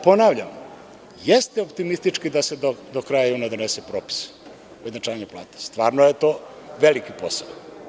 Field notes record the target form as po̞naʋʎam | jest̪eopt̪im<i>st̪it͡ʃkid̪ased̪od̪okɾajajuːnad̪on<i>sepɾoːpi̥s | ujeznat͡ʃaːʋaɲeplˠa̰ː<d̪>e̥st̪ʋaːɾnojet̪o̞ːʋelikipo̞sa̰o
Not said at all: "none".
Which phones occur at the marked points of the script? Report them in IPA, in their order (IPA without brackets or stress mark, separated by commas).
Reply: i, e, t̪